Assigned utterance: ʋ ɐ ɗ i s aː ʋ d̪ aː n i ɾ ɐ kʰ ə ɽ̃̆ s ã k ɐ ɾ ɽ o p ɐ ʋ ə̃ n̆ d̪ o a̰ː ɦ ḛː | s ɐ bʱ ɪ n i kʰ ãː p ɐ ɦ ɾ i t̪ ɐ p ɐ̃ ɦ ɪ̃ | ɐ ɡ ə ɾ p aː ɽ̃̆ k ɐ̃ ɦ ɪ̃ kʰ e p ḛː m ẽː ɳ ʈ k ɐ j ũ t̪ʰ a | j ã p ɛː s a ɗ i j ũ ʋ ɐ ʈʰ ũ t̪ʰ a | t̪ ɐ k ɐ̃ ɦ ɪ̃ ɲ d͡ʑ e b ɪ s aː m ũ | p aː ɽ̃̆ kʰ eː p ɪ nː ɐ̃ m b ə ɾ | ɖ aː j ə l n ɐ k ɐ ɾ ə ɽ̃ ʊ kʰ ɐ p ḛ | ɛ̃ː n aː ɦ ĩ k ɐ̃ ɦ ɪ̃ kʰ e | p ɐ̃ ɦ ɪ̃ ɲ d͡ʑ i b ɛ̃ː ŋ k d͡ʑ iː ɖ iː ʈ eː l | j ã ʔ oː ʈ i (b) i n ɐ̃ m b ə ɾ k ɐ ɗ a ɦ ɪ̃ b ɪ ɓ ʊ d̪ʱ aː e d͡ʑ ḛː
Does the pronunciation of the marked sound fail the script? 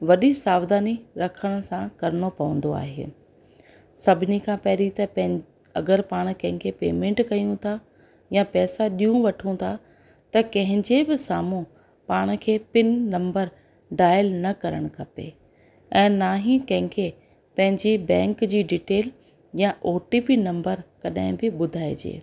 yes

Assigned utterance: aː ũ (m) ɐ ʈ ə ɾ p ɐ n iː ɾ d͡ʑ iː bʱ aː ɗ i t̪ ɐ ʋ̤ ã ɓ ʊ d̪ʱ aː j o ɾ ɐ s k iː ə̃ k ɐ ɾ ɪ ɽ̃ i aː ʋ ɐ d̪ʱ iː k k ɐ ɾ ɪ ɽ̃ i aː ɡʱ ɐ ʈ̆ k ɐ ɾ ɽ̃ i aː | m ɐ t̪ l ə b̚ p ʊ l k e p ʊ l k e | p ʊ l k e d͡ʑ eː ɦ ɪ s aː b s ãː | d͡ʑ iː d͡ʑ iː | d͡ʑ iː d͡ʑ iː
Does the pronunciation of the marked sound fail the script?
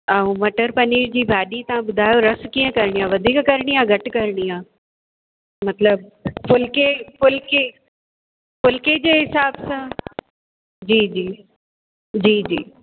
no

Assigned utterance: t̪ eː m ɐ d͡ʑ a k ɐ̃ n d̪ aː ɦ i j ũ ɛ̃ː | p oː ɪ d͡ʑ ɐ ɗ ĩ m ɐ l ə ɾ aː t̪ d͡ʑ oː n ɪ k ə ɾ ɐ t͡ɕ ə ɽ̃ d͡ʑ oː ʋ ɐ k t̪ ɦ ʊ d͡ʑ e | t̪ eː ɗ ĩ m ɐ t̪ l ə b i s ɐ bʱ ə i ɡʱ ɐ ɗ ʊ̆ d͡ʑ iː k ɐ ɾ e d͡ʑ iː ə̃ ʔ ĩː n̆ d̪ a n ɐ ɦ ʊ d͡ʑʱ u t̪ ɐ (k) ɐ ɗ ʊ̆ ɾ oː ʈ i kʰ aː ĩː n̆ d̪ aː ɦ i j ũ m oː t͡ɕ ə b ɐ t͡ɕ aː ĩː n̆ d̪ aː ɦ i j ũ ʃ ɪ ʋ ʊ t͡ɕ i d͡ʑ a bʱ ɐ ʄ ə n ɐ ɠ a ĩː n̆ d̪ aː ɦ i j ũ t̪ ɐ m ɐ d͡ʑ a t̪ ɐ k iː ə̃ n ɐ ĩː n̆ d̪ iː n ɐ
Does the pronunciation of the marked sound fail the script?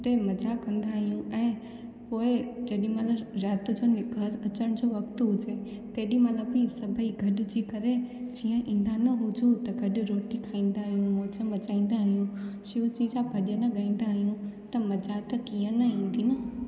yes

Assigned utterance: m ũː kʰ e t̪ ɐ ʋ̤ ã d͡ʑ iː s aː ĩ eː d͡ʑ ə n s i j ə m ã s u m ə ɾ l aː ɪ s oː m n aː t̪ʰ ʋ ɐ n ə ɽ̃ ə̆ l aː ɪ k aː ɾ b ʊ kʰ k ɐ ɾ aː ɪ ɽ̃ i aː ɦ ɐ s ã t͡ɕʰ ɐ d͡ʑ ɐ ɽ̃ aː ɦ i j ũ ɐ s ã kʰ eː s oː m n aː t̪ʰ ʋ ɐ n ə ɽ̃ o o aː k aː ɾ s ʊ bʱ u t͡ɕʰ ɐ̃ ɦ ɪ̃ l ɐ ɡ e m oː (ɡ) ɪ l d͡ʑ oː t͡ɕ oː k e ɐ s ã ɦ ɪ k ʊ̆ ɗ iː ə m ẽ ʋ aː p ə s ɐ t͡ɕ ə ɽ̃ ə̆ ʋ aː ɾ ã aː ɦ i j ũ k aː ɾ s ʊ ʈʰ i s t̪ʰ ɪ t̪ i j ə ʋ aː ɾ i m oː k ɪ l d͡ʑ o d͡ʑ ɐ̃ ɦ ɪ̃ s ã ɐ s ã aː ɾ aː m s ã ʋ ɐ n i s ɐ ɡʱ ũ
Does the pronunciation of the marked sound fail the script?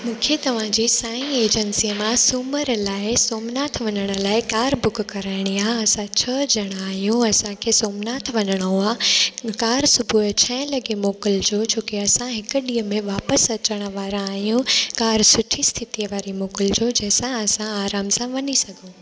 yes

